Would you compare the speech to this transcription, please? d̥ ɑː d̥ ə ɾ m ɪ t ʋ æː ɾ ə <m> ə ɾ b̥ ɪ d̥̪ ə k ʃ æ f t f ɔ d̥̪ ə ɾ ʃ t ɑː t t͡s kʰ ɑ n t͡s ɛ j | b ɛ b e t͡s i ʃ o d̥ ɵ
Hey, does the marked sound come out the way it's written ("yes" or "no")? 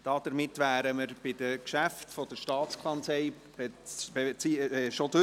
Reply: yes